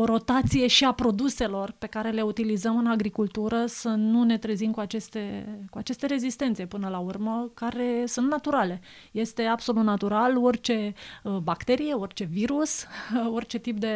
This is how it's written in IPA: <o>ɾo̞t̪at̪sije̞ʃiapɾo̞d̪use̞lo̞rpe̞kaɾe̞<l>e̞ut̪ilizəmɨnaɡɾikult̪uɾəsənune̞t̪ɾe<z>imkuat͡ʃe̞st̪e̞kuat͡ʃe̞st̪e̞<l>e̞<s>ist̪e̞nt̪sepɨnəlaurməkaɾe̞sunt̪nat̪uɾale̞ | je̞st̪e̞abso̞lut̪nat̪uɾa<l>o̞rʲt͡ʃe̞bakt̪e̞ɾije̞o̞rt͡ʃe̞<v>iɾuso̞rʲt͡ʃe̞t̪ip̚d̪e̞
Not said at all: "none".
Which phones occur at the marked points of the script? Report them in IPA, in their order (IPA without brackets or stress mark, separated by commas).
o, l, z, ɾ, z, l, v